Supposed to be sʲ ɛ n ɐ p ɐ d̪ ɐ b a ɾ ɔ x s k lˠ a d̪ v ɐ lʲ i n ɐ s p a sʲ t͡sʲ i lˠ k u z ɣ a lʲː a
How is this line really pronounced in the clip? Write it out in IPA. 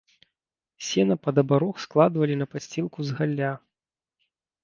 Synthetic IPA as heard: sʲ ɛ n ɐ p ɐ d̪ ɐ b a ɾ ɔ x s k lˠ a d̪ v ɐ lʲ i n ɐ p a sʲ t͡sʲ i lˠ k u z ɣ a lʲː a